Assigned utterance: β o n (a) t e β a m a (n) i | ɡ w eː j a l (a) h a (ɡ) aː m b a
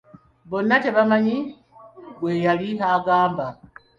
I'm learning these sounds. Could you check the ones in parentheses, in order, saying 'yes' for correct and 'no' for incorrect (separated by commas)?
yes, no, no, yes